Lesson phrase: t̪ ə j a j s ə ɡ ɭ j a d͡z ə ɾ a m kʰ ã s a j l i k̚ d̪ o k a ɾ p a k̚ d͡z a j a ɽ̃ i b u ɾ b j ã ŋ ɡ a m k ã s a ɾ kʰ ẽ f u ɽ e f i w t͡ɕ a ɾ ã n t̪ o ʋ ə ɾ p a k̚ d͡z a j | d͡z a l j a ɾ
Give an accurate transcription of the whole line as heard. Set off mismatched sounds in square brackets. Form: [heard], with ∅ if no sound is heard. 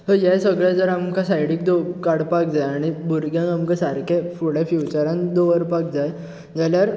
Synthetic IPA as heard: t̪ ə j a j s ə ɡ ɭ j a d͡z ə ɾ a m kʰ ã s a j [ɽ] i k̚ d̪ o k a [ɽ] p a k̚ d͡z a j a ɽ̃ i b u ɾ [ɡ] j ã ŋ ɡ a m k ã s a ɾ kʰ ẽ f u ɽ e f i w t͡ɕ a ɾ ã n [d̪] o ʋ ə ɾ p a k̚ d͡z a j | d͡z a l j a ɾ